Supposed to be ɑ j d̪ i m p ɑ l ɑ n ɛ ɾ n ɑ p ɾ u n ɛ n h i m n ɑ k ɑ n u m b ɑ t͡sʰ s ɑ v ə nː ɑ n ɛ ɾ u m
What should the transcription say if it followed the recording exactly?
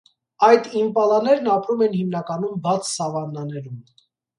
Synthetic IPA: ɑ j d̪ i m p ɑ l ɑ n ɛ ɾ n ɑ p ɾ u m ɛ n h i m n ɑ k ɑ n u m b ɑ t͡sʰ s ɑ v ɑ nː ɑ n ɛ ɾ u m